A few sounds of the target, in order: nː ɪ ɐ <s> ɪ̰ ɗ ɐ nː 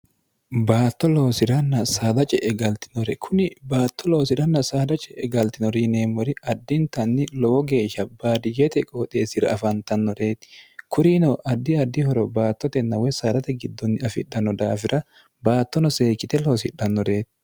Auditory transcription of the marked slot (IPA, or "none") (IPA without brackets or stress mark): f